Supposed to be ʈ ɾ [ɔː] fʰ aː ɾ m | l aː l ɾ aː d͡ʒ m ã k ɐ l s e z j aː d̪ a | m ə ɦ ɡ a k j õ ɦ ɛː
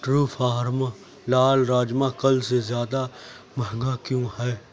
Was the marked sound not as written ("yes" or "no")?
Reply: yes